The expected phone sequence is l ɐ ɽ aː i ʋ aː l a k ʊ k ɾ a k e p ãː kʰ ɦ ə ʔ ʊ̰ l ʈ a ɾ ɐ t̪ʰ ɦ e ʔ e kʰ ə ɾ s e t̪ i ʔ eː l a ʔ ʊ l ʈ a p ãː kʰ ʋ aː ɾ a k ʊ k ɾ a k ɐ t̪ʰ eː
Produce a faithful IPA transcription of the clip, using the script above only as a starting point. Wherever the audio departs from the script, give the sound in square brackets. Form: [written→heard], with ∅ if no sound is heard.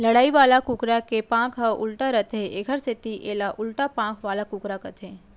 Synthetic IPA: l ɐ ɽ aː i ʋ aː l a k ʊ k ɾ a k e p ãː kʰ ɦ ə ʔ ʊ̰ l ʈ a ɾ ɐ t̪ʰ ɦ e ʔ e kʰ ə ɾ s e t̪ i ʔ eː l a ʔ ʊ l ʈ a p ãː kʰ ʋ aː [ɾ→l] a k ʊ k ɾ a k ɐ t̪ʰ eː